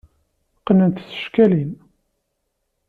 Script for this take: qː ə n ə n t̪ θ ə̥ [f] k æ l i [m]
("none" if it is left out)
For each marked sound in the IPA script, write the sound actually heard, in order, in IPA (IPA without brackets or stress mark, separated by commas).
ʃ, n